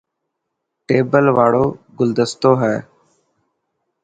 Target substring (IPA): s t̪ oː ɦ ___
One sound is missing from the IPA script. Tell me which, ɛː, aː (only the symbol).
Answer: ɛː